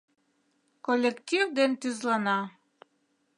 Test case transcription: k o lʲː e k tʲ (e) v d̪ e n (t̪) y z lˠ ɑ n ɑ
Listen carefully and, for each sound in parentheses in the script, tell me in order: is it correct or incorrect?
incorrect, correct

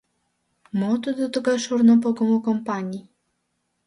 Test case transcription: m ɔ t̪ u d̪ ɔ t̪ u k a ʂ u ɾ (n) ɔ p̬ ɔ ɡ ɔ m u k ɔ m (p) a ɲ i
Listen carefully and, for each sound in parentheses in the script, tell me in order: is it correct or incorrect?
correct, correct

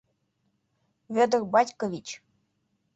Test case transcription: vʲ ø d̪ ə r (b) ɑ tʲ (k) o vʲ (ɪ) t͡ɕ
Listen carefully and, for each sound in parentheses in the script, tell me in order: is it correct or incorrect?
correct, correct, incorrect

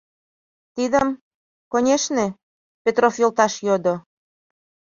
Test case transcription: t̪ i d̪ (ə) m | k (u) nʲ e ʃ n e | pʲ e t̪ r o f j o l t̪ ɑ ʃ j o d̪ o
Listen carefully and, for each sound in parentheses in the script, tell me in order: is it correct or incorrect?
correct, incorrect

